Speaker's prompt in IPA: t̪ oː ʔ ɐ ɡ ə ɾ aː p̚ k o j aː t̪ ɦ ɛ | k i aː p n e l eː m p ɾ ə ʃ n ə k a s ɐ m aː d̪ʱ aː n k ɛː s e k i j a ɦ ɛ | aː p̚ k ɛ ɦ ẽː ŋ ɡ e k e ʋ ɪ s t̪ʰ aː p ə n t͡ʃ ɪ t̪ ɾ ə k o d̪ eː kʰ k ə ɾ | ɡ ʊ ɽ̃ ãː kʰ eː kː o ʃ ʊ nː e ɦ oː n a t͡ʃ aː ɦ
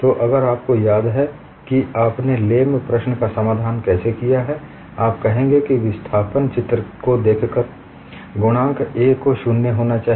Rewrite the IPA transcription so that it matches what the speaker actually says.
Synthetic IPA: t̪ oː ʔ ɐ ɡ ə ɾ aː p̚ k o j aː d̪ ɦ ɛ | k i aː p n e l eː m p ɾ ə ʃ n ə k a s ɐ m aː d̪ʱ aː n k ɛː s e k i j a ɦ ɛ | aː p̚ k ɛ ɦ ẽː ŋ ɡ e k i ʋ ɪ s t̪ʰ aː p ə n t͡ʃ ɪ t̪ ɾ ə k o d̪ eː kʰ k ə ɾ | ɡ ʊ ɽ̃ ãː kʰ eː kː o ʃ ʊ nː e ɦ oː n a t͡ʃ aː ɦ